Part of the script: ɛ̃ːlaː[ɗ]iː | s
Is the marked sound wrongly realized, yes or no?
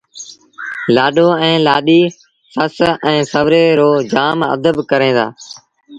no